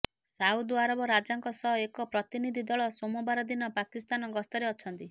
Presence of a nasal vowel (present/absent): absent